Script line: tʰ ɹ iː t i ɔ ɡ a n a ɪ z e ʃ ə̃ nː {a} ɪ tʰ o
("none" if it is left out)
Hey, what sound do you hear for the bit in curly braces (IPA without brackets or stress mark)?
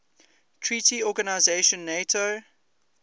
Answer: e